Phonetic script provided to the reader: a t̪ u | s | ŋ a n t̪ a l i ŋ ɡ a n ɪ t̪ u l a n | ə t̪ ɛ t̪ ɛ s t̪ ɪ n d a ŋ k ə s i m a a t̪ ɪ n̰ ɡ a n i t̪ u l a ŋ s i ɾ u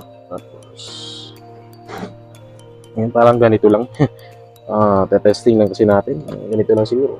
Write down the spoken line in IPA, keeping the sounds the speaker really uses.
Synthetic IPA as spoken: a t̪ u | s | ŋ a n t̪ a l a ŋ ɡ a n i t̪ u l a ŋ | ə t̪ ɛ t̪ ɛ s t̪ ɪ ŋ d a ŋ k ə s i n a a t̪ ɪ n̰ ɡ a n i t̪ u l a ŋ s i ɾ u